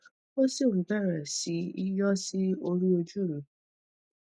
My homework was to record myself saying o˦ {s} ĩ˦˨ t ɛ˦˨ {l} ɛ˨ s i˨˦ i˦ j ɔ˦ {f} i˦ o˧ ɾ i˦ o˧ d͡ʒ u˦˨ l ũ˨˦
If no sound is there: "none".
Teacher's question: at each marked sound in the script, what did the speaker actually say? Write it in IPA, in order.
s, ɾ, s

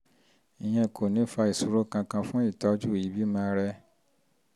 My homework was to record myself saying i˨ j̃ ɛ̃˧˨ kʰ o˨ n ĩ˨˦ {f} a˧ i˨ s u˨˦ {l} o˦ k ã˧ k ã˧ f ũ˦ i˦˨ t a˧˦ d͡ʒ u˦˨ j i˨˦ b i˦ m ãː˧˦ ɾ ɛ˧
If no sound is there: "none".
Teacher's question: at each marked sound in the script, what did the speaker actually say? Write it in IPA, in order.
f, ɾ

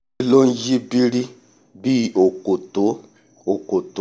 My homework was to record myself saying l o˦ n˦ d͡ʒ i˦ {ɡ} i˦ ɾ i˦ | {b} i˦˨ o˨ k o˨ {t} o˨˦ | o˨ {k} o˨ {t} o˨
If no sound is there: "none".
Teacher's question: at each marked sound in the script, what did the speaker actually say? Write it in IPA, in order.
b, b, t, k, t

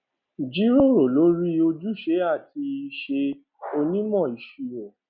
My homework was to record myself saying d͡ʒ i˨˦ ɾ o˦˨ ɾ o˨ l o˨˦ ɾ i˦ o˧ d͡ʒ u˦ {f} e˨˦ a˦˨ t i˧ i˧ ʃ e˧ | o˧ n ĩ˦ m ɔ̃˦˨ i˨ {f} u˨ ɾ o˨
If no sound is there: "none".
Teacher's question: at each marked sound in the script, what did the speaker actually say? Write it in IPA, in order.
ʃ, ʃ

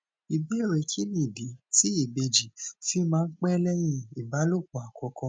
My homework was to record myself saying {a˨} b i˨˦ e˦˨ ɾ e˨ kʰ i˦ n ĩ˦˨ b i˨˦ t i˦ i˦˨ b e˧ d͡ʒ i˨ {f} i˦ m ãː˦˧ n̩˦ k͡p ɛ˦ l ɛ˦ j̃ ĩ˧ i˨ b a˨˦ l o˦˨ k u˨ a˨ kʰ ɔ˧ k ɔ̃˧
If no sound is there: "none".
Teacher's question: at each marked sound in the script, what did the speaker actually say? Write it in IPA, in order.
i˨, f

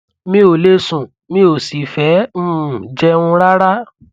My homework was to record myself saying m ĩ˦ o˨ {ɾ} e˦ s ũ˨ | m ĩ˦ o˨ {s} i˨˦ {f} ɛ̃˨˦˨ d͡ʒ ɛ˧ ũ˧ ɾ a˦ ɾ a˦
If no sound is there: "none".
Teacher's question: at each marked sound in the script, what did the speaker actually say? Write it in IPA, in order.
l, s, f

